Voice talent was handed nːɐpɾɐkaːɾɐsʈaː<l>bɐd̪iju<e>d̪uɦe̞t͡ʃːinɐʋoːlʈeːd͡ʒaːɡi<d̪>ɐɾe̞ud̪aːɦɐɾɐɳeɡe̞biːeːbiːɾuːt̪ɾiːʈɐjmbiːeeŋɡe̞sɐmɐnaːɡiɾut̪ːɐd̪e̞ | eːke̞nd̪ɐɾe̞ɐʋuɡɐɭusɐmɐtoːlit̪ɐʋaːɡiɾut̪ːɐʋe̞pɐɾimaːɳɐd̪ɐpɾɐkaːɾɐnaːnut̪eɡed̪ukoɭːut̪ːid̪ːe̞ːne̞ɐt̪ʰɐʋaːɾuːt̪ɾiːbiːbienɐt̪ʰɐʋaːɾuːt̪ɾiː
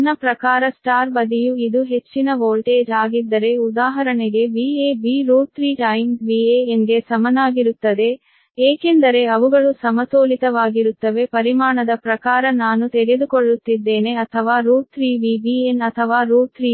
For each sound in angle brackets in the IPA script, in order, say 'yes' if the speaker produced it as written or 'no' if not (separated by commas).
no, no, no